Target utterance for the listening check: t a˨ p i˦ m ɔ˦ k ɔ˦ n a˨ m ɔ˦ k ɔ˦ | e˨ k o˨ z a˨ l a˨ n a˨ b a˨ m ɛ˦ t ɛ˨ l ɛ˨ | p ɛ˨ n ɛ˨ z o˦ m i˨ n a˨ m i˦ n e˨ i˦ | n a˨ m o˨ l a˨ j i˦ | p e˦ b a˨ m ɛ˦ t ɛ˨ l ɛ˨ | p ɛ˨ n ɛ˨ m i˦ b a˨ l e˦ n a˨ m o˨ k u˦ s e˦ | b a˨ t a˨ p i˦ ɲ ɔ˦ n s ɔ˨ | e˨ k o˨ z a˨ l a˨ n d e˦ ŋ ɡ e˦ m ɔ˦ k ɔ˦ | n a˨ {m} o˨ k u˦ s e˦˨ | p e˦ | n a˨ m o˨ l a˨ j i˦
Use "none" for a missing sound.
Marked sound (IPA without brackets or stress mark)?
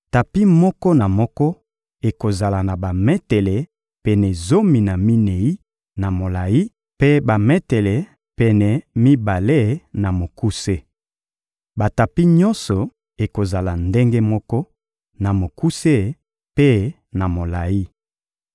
m